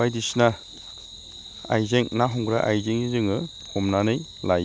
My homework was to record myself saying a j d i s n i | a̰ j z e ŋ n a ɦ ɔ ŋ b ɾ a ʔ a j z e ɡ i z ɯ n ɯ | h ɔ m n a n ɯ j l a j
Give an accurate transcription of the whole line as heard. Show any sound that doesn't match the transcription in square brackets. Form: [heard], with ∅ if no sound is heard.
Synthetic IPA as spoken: a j d i s n [a] | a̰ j z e ŋ n a ɦ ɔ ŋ [ɡ] ɾ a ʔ a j z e [ŋ] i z ɯ [ŋ] ɯ | h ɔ m n a n ɯ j l a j